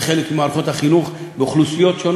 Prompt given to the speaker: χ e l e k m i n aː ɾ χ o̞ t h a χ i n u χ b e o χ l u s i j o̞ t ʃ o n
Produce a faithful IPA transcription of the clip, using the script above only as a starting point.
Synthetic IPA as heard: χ e l e k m i m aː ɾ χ o̞ t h a χ i n u χ b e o χ l u s i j o̞ t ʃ o n